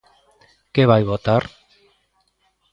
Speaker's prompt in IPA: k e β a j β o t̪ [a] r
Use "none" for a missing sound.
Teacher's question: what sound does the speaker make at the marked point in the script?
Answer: a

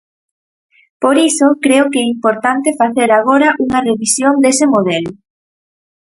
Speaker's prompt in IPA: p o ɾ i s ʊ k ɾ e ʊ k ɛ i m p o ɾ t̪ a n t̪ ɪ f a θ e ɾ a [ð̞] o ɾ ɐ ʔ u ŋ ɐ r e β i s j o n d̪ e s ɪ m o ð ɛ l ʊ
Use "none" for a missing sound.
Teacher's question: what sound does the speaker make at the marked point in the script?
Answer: ɣ̞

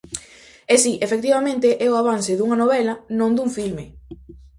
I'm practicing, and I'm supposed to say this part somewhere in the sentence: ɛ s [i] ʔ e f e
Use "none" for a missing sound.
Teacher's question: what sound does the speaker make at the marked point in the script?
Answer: i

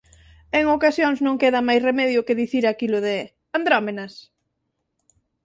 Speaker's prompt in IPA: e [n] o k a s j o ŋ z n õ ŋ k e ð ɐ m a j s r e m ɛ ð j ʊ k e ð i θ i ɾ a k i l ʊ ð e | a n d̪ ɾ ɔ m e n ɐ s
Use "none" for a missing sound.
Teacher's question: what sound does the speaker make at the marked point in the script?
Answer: ŋ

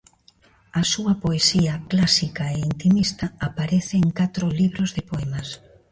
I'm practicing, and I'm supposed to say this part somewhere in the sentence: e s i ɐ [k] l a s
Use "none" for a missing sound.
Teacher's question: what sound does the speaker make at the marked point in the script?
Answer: k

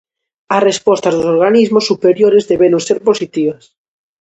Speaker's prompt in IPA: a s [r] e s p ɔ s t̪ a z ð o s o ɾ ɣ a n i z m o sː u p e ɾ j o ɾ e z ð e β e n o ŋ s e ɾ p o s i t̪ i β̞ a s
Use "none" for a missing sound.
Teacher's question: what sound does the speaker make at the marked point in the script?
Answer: r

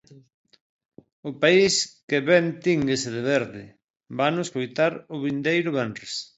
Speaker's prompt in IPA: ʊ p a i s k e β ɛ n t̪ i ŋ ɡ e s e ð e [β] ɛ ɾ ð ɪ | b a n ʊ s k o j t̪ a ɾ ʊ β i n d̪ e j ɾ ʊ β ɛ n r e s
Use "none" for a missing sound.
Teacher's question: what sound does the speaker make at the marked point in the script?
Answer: β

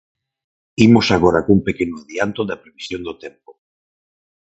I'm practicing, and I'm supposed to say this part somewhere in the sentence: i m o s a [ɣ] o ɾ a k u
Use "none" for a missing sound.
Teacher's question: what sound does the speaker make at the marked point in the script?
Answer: ɣ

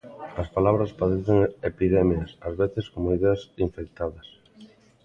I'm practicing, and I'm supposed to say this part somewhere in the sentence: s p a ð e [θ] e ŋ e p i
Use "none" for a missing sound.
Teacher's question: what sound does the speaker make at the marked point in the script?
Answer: θ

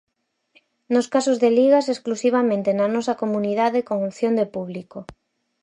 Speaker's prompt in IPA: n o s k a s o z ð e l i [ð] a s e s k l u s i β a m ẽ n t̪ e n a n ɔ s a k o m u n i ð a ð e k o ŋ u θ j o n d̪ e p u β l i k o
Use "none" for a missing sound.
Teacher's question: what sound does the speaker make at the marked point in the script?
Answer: ɣ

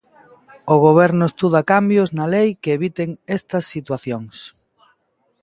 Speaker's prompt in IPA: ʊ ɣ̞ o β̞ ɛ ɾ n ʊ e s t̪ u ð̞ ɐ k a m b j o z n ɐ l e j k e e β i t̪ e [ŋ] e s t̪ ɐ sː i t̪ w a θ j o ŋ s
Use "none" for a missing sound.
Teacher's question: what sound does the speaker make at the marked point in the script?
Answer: ŋ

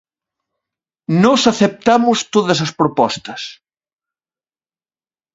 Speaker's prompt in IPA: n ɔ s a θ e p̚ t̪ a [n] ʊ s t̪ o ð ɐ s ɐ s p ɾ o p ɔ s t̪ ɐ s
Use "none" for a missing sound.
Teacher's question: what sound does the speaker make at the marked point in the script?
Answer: m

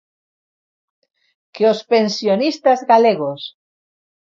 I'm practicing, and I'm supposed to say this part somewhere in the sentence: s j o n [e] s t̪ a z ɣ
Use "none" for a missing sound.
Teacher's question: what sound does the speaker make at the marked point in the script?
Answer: i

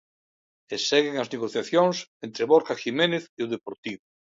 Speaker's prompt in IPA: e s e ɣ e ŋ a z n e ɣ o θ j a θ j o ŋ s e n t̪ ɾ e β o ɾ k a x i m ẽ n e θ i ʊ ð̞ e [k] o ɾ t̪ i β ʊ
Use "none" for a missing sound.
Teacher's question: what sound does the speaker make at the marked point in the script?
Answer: p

